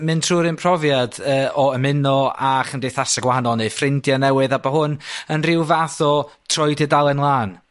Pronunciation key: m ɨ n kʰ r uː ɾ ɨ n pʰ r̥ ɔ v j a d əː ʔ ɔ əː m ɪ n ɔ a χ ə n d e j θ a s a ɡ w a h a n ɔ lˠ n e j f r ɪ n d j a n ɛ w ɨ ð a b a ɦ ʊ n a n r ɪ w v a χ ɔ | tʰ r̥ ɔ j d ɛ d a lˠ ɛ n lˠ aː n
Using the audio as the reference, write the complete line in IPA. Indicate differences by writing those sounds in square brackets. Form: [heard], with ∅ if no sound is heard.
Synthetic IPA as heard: m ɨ n [tʰ] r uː ɾ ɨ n pʰ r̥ ɔ v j a d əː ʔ ɔ [ə] m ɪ n ɔ a χ ə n d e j θ a s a ɡ w a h a n ɔ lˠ n e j f r ɪ n d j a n ɛ w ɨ ð a b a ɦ ʊ n [ə] n r ɪ w v a [θ] ɔ | tʰ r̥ ɔ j d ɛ d a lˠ ɛ n lˠ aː n